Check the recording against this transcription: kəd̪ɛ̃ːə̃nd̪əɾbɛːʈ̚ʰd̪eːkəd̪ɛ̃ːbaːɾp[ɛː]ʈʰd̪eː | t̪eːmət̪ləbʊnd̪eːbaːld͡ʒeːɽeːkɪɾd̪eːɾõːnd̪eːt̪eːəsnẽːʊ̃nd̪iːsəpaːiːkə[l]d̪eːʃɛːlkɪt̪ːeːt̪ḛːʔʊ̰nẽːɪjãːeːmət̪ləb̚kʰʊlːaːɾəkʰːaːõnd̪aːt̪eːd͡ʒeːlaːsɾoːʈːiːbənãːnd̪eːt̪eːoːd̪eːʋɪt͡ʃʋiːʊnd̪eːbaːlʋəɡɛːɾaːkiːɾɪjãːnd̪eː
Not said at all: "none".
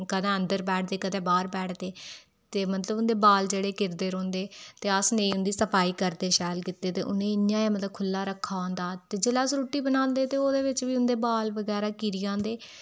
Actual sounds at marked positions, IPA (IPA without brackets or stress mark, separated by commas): ɛː, ɾ